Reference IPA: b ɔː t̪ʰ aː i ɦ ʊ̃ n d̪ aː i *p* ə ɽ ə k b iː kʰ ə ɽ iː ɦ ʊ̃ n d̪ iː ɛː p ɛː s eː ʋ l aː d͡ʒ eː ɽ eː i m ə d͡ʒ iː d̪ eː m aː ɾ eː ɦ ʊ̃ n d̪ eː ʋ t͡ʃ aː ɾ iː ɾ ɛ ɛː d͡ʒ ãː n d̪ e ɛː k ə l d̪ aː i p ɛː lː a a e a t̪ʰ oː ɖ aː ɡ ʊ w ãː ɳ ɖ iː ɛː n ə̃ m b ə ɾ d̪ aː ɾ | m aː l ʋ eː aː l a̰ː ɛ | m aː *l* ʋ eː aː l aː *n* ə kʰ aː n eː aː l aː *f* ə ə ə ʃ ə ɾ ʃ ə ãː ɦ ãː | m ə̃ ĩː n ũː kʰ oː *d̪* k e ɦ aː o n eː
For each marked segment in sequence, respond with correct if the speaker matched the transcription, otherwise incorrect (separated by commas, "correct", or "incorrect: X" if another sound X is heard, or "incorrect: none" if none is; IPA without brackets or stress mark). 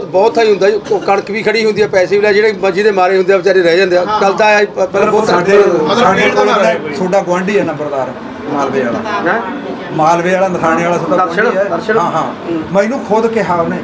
incorrect: k, correct, correct, incorrect: s, correct